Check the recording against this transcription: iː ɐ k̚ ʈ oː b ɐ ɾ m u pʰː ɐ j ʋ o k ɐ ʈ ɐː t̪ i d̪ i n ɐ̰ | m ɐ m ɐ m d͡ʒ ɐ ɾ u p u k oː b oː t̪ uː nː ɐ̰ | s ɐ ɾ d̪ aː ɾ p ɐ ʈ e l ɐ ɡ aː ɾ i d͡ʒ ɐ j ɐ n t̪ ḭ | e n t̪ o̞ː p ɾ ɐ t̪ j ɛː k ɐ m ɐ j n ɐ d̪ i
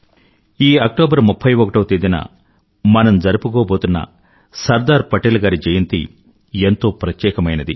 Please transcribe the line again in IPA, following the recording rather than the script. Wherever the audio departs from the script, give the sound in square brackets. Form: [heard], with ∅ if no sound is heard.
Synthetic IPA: iː ɐ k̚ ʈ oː b ɐ ɾ m u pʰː ɐ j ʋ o k ɐ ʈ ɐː t̪ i d̪ i n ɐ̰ | m ɐ [n] ɐ m d͡ʒ ɐ ɾ u p u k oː b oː t̪ [u] nː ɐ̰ | s ɐ ɾ d̪ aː ɾ p ɐ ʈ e l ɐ ɡ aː ɾ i d͡ʒ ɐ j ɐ n t̪ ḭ | e n t̪ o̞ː p ɾ ɐ t̪ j ɛː k ɐ m ɐ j n ɐ d̪ i